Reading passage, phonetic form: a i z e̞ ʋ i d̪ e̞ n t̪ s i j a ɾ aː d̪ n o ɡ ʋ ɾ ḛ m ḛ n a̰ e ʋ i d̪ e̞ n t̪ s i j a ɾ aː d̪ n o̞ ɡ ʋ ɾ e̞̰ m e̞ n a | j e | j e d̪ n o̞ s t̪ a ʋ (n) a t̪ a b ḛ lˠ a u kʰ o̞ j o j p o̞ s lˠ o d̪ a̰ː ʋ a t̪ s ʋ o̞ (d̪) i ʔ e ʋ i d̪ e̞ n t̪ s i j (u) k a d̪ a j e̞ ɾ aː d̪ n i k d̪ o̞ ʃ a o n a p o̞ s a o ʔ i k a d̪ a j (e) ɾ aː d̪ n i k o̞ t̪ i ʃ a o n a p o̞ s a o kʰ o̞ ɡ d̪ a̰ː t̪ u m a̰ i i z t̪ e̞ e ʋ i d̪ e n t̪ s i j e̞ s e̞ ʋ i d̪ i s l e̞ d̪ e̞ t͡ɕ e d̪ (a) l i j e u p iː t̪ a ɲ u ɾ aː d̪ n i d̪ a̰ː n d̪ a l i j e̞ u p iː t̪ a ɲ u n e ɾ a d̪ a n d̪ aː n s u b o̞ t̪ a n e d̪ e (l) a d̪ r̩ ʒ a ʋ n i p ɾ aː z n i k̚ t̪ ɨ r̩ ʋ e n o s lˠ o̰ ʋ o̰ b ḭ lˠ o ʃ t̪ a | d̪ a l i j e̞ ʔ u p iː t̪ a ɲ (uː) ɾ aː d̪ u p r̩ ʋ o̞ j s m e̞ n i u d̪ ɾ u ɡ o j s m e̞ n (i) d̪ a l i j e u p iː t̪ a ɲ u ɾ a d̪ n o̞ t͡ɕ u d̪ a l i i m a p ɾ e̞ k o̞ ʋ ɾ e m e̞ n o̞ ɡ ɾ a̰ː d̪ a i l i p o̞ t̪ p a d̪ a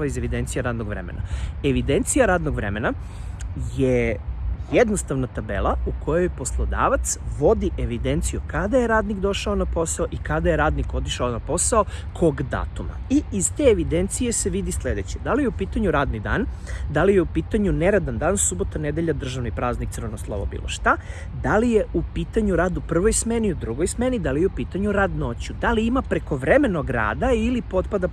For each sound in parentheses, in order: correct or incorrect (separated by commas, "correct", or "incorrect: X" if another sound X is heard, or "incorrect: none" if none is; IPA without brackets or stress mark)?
correct, correct, correct, correct, correct, incorrect: ʎ, incorrect: u, correct